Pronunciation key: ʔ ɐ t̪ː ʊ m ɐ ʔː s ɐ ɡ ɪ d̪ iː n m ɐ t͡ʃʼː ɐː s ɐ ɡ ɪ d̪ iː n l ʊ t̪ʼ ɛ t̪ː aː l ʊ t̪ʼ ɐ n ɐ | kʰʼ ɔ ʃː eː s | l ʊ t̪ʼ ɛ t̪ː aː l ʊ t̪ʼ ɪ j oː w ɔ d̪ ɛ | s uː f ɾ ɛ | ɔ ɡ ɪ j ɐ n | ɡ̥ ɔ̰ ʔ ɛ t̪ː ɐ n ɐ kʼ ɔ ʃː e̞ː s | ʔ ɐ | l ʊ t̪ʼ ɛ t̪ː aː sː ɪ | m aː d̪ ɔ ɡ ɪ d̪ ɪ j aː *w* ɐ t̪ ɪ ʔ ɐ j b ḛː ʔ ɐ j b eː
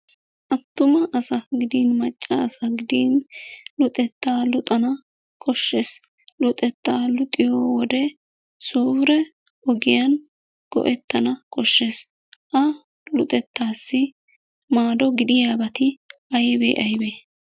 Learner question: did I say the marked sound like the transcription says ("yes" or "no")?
no